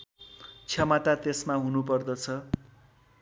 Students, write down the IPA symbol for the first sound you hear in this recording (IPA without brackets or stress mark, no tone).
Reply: t͡sʰ